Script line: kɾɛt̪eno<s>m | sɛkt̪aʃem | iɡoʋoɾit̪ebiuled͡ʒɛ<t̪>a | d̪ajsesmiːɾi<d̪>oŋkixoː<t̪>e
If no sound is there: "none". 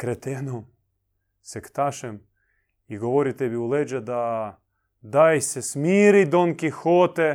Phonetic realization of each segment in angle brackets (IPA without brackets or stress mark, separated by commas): none, d̪, d̪, t̪